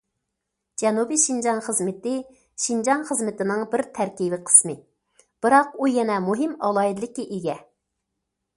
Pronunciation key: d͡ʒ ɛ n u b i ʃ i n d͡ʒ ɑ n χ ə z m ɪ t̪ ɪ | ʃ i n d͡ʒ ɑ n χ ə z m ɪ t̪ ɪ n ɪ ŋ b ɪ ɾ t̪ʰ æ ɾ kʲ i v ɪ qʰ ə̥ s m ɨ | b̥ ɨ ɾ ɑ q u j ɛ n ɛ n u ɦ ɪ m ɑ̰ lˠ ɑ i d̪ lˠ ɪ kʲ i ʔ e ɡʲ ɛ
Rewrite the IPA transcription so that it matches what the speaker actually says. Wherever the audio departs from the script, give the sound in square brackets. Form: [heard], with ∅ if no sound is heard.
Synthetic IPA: d͡ʒ ɛ n u b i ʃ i n d͡ʒ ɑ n χ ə z m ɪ t̪ ɪ | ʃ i n d͡ʒ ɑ n χ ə z m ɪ t̪ ɪ n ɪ ŋ b ɪ ɾ t̪ʰ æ ɾ kʲ i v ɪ qʰ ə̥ s m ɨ | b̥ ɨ ɾ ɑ q u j ɛ n ɛ [m] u ɦ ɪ m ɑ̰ lˠ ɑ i d̪ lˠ ɪ kʲ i ʔ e ɡʲ ɛ